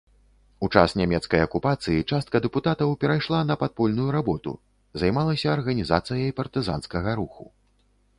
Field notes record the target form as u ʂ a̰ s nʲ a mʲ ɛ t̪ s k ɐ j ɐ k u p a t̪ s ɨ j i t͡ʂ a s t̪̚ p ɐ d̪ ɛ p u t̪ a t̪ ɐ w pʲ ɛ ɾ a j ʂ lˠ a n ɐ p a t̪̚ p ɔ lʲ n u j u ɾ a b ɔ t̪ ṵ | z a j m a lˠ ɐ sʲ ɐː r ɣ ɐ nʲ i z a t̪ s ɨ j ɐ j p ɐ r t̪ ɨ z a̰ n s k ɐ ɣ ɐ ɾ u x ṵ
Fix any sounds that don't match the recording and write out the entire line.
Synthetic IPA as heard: u t͡ʂ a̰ s nʲ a mʲ ɛ t̪ s k ɐ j ɐ k u p a t̪ s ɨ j i t͡ʂ a s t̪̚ k ɐ d̪ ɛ p u t̪ a t̪ ɐ w pʲ ɛ ɾ a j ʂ lˠ a n ɐ p a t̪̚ p ɔ lʲ n u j u ɾ a b ɔ t̪ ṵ | z a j m a lˠ ɐ sʲ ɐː r ɣ ɐ nʲ i z a t̪ s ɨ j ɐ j p ɐ r t̪ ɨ z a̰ n s k ɐ ɣ ɐ ɾ u x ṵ